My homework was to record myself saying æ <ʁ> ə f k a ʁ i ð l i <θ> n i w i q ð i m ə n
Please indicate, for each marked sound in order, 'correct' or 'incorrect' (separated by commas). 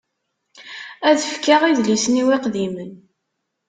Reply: incorrect, incorrect